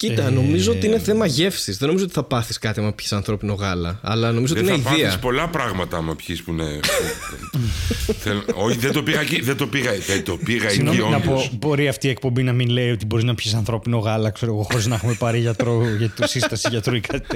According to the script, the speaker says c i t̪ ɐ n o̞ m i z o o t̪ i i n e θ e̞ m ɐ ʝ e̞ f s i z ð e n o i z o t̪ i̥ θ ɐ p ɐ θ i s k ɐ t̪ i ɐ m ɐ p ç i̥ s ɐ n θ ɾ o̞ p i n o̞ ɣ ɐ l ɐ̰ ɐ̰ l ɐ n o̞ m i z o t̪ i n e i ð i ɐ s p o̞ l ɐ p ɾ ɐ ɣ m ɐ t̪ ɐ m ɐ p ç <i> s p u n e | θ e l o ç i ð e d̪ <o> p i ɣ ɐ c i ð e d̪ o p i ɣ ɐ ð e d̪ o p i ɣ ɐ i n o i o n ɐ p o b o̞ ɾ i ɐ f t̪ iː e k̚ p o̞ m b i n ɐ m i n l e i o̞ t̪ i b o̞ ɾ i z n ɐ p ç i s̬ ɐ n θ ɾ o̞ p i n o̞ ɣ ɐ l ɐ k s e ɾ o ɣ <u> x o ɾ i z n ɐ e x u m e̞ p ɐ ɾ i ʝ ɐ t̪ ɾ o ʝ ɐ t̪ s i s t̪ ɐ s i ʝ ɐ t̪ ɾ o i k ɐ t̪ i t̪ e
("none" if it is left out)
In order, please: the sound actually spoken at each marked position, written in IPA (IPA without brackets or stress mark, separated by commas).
i, o, o